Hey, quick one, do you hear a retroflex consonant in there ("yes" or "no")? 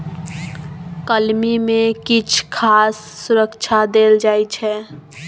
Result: no